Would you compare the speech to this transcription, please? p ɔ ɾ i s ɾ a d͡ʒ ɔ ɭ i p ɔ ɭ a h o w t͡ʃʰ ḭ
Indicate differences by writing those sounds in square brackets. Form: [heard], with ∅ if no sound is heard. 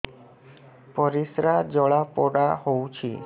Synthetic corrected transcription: p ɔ ɾ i s ɾ a d͡ʒ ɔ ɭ [a] p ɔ [ɽ] a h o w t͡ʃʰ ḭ